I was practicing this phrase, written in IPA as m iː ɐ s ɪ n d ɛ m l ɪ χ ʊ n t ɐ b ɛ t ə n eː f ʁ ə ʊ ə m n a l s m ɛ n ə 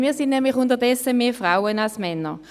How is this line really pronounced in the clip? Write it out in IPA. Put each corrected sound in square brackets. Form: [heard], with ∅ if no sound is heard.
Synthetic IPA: m iː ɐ s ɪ n [n] ɛ m l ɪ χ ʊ n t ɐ [d] ɛ [s] ə [m] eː f ʁ [a] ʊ ə [∅] n a l s m ɛ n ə